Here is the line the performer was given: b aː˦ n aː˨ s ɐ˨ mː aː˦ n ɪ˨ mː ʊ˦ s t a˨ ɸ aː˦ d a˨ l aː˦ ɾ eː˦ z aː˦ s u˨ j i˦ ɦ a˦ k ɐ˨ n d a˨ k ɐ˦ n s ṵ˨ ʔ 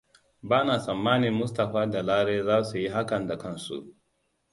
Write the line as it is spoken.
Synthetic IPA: b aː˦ n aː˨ s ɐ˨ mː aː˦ n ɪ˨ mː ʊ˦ s t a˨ ɸ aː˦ d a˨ l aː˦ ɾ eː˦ z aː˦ s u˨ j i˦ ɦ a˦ k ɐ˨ n d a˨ k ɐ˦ n s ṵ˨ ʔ